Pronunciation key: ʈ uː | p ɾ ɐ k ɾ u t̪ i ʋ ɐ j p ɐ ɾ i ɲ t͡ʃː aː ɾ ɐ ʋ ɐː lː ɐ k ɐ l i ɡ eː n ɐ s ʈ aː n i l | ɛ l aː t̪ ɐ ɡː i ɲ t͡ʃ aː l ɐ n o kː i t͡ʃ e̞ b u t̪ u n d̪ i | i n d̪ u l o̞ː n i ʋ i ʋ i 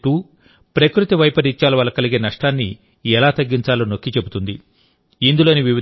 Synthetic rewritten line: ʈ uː | p ɾ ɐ k ɾ u t̪ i ʋ ɐ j p ɐ ɾ i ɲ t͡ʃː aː l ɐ ʋ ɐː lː ɐ k ɐ l i ɡ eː n ɐ ʂ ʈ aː nː i | ɛ l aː t̪ ɐ ɡː i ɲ t͡ʃ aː l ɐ n o kː i t͡ʃ e̞ b u t̪ u n d̪ i | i n d̪ u l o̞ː n i ʋ i ʋ i